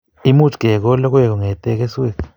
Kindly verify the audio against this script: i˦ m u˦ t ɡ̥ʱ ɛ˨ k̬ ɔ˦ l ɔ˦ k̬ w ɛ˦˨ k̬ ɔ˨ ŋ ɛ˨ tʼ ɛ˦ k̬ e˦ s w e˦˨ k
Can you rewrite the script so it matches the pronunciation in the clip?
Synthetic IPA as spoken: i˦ m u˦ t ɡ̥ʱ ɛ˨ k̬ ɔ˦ l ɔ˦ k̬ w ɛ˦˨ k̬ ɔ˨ ŋ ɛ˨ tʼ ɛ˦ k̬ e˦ s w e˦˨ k